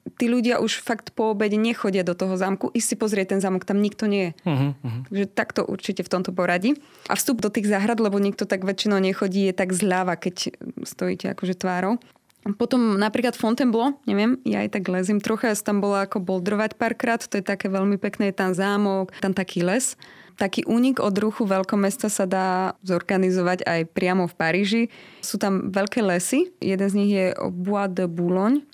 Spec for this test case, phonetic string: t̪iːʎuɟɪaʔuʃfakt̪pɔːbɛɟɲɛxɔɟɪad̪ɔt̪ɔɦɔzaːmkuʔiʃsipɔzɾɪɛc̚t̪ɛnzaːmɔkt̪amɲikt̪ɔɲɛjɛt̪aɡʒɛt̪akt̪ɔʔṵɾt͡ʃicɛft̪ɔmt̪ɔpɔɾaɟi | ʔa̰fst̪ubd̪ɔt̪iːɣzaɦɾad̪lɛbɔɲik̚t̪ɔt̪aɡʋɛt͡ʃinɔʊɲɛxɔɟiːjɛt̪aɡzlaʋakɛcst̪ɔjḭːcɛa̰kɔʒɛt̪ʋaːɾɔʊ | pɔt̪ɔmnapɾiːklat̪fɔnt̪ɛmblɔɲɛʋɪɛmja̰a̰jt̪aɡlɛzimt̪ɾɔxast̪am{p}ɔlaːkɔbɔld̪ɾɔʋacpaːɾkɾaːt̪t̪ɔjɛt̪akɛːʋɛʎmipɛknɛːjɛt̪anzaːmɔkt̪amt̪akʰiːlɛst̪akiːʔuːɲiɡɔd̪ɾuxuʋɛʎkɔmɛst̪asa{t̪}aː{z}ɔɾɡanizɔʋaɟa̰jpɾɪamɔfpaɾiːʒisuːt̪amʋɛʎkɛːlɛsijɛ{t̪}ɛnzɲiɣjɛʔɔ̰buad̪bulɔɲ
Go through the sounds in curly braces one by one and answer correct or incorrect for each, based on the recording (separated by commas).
incorrect, incorrect, correct, incorrect